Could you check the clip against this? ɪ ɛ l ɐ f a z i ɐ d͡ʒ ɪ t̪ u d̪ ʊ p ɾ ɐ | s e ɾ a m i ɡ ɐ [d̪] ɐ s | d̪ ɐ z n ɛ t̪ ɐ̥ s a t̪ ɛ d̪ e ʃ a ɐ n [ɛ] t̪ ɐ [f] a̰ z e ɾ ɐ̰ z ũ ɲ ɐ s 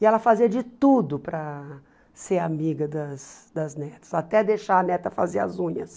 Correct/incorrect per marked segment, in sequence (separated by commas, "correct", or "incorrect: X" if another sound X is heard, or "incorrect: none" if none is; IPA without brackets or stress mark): correct, correct, correct